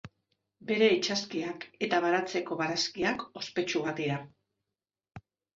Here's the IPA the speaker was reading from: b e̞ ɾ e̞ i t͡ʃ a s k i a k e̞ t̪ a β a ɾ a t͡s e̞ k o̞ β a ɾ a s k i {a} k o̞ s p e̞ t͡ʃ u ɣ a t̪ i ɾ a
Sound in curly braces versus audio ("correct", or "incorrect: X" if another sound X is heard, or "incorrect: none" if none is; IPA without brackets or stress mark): correct